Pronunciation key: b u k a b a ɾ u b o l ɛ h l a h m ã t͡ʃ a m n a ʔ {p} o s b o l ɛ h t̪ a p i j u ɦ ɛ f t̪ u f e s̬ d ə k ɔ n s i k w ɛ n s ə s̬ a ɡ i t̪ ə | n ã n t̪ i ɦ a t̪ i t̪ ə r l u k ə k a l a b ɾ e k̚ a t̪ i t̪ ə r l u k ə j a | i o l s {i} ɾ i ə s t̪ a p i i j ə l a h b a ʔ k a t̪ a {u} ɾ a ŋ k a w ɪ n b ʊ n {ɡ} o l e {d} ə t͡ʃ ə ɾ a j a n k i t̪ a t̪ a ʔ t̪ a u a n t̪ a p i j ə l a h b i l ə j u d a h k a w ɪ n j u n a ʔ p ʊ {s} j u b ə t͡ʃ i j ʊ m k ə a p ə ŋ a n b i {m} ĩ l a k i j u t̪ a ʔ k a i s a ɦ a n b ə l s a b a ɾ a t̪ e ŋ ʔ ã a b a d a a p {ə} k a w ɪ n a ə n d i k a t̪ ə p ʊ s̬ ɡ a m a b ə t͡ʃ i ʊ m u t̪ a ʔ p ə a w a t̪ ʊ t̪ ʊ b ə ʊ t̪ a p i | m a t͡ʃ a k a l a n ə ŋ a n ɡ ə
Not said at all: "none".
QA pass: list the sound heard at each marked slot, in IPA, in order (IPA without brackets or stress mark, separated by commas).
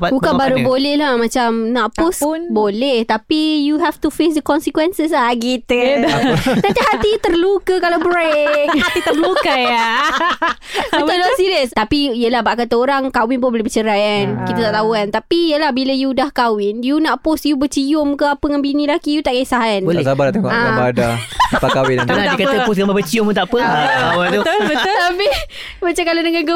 p, i, o, b, b, s, n, a